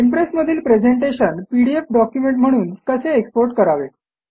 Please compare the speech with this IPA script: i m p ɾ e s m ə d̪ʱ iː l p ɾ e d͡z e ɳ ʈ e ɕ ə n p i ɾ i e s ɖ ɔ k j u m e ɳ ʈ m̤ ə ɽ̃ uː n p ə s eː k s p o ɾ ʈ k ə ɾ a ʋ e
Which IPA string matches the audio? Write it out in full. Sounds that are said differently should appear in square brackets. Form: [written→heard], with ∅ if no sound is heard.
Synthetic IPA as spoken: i m p ɾ e s m ə d̪ʱ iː l p ɾ e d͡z e ɳ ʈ e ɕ ə n p i [ɾ→ɽ] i e [s→f] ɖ ɔ k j u m e ɳ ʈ m̤ ə ɽ̃ uː n [p→k] ə s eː k s p o ɾ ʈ k ə ɾ a ʋ e